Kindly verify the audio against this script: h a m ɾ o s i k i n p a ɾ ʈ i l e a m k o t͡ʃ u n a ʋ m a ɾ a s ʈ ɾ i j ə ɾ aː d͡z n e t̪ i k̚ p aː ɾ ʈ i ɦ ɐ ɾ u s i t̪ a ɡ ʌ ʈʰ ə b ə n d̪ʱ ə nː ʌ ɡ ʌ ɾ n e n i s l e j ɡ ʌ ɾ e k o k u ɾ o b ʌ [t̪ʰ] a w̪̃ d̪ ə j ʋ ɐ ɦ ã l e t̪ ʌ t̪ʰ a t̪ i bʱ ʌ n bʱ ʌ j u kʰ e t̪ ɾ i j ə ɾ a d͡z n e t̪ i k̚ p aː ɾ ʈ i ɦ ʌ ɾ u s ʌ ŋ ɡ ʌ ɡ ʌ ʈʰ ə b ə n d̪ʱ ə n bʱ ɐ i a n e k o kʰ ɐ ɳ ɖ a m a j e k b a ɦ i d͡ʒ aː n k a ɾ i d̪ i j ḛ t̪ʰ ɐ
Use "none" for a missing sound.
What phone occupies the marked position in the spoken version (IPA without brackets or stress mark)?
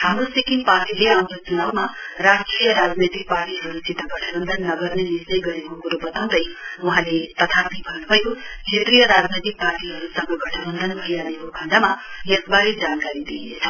t̪